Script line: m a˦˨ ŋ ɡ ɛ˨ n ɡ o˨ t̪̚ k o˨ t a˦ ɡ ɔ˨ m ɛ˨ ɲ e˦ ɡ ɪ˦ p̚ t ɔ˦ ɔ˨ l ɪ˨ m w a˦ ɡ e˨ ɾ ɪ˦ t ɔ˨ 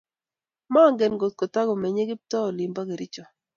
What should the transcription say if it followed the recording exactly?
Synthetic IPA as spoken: m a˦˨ ŋ ɡ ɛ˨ n ɡ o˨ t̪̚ k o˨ t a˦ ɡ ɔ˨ m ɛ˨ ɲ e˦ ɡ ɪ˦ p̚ t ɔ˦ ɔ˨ l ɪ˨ m b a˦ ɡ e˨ ɾ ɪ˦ t͡ʃ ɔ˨